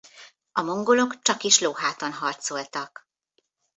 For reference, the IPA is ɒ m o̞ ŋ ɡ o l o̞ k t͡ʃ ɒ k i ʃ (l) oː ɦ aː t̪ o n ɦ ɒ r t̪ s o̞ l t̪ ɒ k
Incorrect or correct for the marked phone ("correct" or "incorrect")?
correct